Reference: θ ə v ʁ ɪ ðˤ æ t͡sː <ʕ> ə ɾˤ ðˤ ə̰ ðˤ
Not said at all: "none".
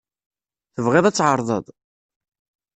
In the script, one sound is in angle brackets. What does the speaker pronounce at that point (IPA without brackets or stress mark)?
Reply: ʕ